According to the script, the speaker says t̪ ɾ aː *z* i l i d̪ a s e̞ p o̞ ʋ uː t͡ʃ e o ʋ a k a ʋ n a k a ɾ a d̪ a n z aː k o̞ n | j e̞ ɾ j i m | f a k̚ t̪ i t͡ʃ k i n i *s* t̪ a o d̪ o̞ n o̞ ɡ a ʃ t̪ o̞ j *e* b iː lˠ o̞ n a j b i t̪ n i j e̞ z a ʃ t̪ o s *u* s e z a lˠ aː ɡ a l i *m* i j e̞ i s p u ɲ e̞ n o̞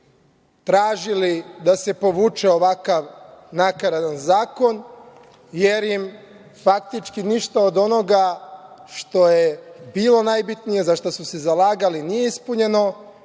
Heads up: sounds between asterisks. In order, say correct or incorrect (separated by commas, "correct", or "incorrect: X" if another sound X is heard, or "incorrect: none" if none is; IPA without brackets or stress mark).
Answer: incorrect: ʒ, incorrect: ʃ, correct, correct, incorrect: n